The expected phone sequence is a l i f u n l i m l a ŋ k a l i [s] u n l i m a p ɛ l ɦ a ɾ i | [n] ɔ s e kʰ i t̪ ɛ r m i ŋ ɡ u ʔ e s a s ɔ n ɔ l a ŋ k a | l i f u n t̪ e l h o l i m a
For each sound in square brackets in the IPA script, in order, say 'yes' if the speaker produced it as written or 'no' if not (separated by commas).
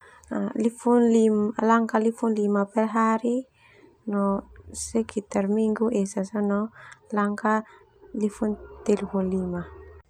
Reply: no, yes